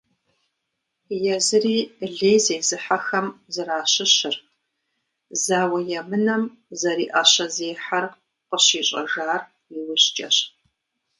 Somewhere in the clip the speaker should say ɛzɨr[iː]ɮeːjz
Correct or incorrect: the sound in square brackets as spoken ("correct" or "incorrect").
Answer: correct